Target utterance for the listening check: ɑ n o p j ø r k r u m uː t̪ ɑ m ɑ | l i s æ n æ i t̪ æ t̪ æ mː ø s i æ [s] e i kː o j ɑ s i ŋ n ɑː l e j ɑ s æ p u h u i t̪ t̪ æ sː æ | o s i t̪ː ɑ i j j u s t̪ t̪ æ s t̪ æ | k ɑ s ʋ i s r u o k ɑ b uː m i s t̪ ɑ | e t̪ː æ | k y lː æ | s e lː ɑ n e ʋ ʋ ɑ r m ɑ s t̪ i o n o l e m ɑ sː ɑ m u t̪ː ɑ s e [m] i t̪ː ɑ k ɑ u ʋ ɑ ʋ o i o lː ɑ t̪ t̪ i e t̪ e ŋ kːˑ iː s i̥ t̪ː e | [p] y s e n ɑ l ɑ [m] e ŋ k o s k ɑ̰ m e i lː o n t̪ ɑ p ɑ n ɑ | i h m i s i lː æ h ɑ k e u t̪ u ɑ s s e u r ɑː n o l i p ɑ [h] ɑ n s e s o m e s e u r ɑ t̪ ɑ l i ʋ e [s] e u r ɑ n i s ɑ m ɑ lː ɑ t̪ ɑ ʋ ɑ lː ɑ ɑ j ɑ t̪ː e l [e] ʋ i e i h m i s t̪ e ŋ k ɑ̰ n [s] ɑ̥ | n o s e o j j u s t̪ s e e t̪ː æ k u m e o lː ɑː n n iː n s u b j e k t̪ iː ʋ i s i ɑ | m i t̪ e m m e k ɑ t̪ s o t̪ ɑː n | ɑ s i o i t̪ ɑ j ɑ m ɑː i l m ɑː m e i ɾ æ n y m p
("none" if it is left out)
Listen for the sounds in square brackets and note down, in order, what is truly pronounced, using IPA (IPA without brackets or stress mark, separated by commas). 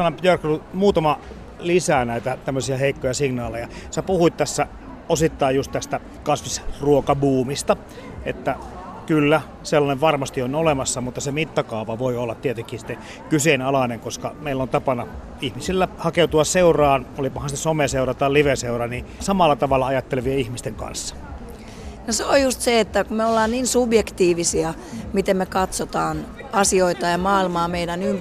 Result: h, m, k, n, h, s, e, sː